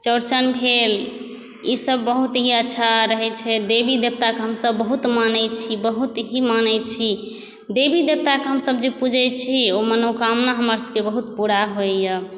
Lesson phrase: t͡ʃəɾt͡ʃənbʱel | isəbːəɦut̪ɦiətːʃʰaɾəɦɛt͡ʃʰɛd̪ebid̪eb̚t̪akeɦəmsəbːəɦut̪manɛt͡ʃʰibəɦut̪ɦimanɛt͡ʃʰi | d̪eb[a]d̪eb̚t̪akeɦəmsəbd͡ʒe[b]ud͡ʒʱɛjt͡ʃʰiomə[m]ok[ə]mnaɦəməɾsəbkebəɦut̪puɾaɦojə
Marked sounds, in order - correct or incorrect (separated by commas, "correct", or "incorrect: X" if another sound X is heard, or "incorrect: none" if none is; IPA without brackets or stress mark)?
incorrect: i, incorrect: p, incorrect: n, incorrect: a